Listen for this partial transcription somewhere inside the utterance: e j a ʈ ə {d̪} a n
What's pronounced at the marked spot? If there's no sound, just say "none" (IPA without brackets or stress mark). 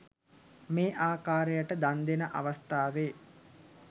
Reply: d̪